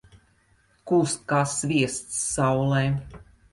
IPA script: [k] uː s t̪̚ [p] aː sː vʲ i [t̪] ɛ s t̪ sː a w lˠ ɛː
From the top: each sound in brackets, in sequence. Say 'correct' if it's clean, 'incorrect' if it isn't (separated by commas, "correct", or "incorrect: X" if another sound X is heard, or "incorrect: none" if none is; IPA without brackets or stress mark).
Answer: correct, incorrect: k, incorrect: none